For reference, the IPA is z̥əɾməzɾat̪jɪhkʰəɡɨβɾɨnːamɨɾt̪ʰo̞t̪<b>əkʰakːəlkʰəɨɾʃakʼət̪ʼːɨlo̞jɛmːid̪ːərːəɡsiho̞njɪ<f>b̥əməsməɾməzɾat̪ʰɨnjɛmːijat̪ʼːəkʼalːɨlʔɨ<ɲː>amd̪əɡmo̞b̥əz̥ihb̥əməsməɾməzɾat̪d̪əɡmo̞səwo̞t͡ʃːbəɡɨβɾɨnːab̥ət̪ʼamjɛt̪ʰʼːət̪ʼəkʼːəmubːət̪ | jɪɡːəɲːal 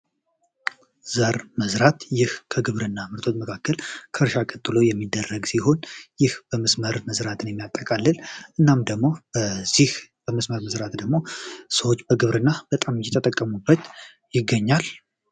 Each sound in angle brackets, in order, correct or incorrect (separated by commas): incorrect, incorrect, incorrect